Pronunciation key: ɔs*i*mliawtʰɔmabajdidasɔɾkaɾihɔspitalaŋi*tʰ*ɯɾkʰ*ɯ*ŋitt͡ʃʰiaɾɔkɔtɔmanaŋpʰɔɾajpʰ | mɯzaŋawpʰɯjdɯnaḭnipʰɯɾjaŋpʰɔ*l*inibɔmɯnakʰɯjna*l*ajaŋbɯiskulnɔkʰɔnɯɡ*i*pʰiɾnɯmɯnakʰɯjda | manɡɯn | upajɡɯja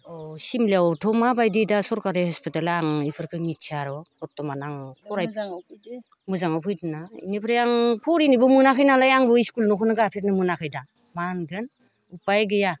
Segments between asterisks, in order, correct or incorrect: correct, incorrect, correct, incorrect, correct, incorrect

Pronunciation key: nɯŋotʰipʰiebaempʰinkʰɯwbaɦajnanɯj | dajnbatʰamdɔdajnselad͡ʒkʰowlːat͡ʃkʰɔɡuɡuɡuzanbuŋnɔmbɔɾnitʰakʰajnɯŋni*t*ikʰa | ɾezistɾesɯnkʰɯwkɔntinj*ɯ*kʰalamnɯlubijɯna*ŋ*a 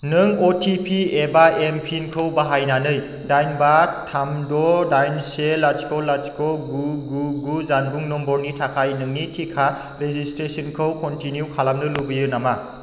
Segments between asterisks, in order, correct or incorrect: incorrect, incorrect, incorrect

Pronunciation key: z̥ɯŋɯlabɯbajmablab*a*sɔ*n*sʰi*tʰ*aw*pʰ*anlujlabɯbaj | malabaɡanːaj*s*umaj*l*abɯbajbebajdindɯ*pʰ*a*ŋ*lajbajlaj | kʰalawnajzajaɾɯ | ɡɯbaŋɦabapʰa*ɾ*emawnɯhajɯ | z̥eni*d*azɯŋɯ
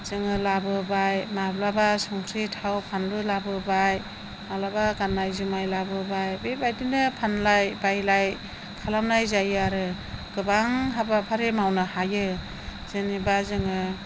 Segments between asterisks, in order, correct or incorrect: correct, incorrect, correct, correct, incorrect, correct, correct, incorrect, correct, incorrect

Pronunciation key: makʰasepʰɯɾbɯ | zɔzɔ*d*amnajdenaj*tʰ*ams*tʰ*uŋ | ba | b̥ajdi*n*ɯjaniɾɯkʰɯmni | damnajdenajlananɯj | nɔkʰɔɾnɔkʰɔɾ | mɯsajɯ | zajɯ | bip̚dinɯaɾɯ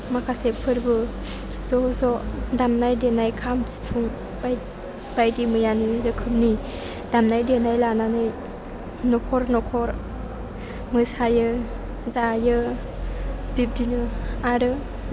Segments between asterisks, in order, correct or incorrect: correct, incorrect, incorrect, incorrect

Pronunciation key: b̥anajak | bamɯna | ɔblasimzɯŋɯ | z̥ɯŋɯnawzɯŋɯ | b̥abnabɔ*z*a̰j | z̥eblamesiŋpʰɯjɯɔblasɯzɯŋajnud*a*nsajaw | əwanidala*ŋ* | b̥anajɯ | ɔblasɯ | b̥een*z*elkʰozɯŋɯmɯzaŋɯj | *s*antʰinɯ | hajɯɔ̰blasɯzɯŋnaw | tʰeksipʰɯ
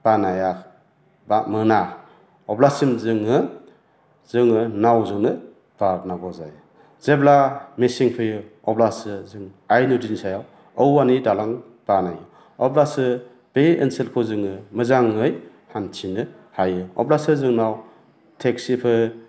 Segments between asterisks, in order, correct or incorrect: correct, incorrect, correct, incorrect, incorrect

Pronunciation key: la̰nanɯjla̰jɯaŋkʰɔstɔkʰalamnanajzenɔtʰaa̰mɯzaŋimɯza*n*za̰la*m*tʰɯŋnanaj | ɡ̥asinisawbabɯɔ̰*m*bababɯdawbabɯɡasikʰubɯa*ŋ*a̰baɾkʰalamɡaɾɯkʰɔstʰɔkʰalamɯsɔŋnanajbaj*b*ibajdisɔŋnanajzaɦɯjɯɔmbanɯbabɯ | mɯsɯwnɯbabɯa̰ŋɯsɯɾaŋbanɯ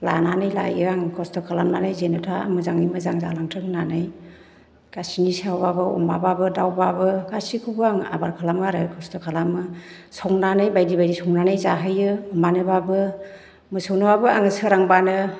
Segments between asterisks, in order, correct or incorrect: incorrect, incorrect, correct, correct, incorrect

